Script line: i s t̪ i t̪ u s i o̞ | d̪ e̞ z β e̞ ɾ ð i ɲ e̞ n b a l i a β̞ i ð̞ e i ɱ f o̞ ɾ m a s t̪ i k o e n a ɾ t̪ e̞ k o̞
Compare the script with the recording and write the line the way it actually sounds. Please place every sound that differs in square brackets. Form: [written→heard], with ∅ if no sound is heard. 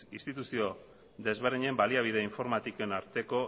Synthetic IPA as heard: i s t̪ i t̪ u s i o̞ | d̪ e̞ z β e̞ ɾ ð i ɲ e̞ [n→m] b a l i a β̞ i ð̞ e i ɱ f o̞ ɾ m a [s→∅] t̪ i k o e n a ɾ t̪ e̞ k o̞